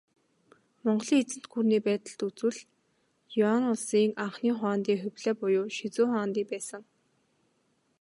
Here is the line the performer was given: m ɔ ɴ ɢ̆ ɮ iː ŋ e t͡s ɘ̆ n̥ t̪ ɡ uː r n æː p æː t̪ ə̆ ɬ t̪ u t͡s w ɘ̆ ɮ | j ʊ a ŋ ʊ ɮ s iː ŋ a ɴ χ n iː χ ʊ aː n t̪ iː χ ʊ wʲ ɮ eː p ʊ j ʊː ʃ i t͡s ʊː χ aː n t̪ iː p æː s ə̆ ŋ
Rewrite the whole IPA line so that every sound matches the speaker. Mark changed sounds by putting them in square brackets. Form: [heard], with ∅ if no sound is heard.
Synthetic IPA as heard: m ɔ ɴ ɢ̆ ɮ iː ŋ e t͡s ɘ̆ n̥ t̪ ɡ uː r n [iː] p æː t̪ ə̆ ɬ t̪ u t͡s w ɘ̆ ɮ | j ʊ a [n] ʊ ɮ s iː ŋ a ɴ χ n iː χ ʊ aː n t̪ iː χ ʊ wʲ ɮ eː p ʊ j ʊː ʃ i t͡s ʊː χ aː n t̪ iː p æː s ə̆ ŋ